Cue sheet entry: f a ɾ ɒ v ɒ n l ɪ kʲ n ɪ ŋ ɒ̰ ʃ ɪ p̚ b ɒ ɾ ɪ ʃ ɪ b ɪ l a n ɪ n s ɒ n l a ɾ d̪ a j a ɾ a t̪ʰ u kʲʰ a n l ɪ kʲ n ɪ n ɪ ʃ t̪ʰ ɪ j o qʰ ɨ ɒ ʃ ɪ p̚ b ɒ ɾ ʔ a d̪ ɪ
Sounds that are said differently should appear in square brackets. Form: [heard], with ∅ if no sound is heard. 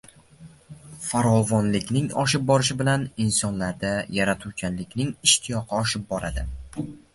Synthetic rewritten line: f a ɾ ɒ v ɒ n l ɪ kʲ n ɪ ŋ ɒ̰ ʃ ɪ p̚ b ɒ ɾ ɪ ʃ ɪ b ɪ l a n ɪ n s ɒ n l a ɾ d̪ a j a ɾ a t̪ʰ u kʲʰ a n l ɪ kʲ n ɪ [ŋ] ɪ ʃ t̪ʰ ɪ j [ɒ] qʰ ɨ ɒ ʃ ɪ p̚ b ɒ ɾ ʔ a d̪ ɪ